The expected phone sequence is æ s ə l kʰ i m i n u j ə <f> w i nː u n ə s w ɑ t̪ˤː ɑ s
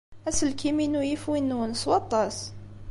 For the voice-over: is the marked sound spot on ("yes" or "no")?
yes